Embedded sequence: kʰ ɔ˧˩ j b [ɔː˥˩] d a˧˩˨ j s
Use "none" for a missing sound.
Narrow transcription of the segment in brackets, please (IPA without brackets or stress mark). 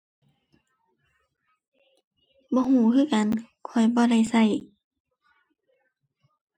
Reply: ɔː˧˦